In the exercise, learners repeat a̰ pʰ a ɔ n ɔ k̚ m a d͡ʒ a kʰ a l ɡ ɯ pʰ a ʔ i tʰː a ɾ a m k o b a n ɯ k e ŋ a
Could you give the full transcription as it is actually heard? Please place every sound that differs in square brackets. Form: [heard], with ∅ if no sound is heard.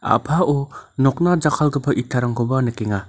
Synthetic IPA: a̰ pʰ a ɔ n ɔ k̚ [n] a d͡ʒ a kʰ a l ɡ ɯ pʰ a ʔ i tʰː a ɾ a [ŋ] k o b a n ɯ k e ŋ a